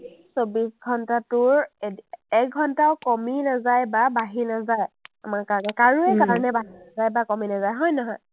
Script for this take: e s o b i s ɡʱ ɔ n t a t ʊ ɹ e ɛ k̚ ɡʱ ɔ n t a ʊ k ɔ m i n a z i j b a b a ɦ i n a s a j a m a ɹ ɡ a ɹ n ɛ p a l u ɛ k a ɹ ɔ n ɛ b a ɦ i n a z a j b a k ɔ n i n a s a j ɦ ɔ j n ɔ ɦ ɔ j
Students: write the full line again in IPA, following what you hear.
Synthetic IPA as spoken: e s o b i s ɡʱ ɔ n t a t ʊ ɹ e ɛ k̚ ɡʱ ɔ n t a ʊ k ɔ m i n a z a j b a b a ɦ i n a z a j a m a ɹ k a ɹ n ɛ k a ɹ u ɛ k a ɹ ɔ n ɛ b a ɦ i n a z a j b a k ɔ m i n a z a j ɦ ɔ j n ɔ ɦ ɔ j